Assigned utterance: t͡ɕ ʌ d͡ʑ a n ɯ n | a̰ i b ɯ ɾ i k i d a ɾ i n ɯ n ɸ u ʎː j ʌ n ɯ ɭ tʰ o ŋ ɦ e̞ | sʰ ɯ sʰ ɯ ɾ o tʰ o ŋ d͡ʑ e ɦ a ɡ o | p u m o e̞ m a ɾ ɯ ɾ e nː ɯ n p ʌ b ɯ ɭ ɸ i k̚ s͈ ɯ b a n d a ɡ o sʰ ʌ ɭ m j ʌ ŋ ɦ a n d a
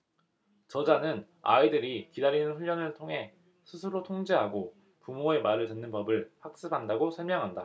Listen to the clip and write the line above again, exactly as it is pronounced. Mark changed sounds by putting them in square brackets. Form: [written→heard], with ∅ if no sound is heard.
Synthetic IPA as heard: t͡ɕ ʌ d͡ʑ a n ɯ n | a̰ i [b→d] ɯ ɾ i k i d a ɾ i n ɯ n ɸ u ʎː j ʌ n ɯ ɭ tʰ o ŋ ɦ e̞ | sʰ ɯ sʰ ɯ ɾ o tʰ o ŋ d͡ʑ e ɦ a ɡ o | p u m o e̞ m a ɾ ɯ [ɾ→ɭ] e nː ɯ n p ʌ b ɯ ɭ ɸ [i→a] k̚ s͈ ɯ b a n d a ɡ o sʰ ʌ ɭ m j ʌ ŋ ɦ a n d a

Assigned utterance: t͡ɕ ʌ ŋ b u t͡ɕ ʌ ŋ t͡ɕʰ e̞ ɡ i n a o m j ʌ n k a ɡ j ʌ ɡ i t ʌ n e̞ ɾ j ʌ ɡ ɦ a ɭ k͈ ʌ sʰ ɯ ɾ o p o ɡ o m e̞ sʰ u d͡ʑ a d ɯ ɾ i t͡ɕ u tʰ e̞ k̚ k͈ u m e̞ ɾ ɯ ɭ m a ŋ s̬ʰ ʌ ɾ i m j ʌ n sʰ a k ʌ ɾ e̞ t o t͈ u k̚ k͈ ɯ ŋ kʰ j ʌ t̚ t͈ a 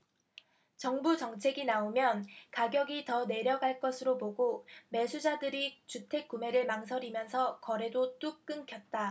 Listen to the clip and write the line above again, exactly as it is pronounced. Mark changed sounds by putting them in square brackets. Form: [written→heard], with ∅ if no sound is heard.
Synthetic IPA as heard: t͡ɕ ʌ ŋ b u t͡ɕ ʌ ŋ t͡ɕʰ e̞ ɡ i n a o m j ʌ n k a ɡ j ʌ ɡ i t ʌ n e̞ ɾ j ʌ ɡ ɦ a ɭ k͈ ʌ sʰ ɯ ɾ o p o ɡ o m e̞ sʰ u d͡ʑ a d ɯ ɾ i t͡ɕ u tʰ e̞ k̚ k͈ u m e̞ ɾ ɯ ɭ m a ŋ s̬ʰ ʌ ɾ i m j ʌ n sʰ [a→ʌ] k ʌ ɾ e̞ [t→d] o t͈ u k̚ k͈ ɯ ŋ kʰ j ʌ t̚ t͈ a

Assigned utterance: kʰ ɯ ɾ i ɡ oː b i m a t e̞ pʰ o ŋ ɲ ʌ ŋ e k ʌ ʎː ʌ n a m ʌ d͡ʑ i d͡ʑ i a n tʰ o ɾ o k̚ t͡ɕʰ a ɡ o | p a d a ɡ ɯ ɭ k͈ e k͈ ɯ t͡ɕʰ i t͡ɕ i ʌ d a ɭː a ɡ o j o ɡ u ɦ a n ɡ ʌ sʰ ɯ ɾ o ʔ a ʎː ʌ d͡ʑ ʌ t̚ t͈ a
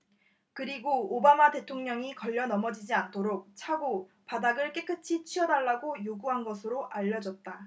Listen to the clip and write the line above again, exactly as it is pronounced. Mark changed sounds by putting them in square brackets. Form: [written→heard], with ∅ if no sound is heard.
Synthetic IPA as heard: [kʰ→k] ɯ ɾ i ɡ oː b [i→a] m a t e̞ [pʰ→tʰ] o ŋ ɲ ʌ ŋ [e→i] k ʌ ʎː ʌ n [a→ʌ] m ʌ d͡ʑ i d͡ʑ i a n tʰ o ɾ o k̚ t͡ɕʰ a ɡ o | p a d a ɡ ɯ ɭ k͈ e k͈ ɯ t͡ɕʰ i [t͡ɕ→t͡ɕʰ] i ʌ d a ɭː a ɡ o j o ɡ u ɦ a n ɡ ʌ sʰ ɯ ɾ o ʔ a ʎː ʌ d͡ʑ ʌ t̚ t͈ a

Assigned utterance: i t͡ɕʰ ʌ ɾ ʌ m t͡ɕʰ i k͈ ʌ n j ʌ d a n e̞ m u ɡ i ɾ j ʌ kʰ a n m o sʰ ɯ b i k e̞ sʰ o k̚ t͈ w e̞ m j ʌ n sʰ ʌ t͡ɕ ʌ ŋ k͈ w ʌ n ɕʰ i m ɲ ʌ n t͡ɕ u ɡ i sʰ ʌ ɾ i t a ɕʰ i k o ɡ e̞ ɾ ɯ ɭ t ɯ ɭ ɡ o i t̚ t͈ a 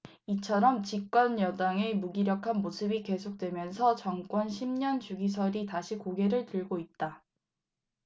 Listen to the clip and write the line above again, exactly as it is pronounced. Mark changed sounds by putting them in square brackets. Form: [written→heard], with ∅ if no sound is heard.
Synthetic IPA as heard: i t͡ɕʰ ʌ ɾ ʌ m [t͡ɕʰ→t͡ɕ] i k͈ ʌ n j ʌ d a [n→ŋ] e̞ m u ɡ i ɾ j ʌ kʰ a n m o sʰ ɯ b i k e̞ sʰ o k̚ t͈ w e̞ m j ʌ n sʰ ʌ t͡ɕ ʌ ŋ k͈ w ʌ n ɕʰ i m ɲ ʌ n t͡ɕ u ɡ i sʰ ʌ ɾ i t a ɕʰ i k o ɡ e̞ ɾ ɯ ɭ t ɯ ɭ ɡ o i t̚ t͈ a

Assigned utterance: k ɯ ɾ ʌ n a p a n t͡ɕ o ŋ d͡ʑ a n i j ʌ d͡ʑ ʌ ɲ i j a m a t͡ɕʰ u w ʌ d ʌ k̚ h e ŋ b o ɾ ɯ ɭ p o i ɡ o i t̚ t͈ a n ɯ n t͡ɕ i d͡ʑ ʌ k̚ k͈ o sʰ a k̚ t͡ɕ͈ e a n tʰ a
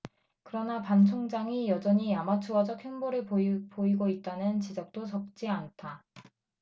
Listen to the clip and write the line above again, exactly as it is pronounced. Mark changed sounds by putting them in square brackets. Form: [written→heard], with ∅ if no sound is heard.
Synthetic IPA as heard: k ɯ ɾ ʌ n a p a n [t͡ɕ→t͡ɕʰ] o ŋ d͡ʑ a [n→ŋ] i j ʌ d͡ʑ ʌ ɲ i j a m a t͡ɕʰ u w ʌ [d→d͡ʑ] ʌ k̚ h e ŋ b o ɾ ɯ ɭ p o i ɡ o i t̚ t͈ a n ɯ n t͡ɕ i d͡ʑ ʌ k̚ [k͈→t͈] o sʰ [a→ʌ] k̚ t͡ɕ͈ [e→i] a n tʰ a

